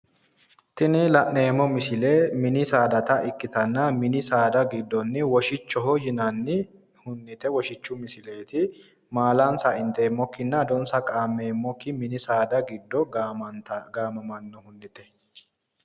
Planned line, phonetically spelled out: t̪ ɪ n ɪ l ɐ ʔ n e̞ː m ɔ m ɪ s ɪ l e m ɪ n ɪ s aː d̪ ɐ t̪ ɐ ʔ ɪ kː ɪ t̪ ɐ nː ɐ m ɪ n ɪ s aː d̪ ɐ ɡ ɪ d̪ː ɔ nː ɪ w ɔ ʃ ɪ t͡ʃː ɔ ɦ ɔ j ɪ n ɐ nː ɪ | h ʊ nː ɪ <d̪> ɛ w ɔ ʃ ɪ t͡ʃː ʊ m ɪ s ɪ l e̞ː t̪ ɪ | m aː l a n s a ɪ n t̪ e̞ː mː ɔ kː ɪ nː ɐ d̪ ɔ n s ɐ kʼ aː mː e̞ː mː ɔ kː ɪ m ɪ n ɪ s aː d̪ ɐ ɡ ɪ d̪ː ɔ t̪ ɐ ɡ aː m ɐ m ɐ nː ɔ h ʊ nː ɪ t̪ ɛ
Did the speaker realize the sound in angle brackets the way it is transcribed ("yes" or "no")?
no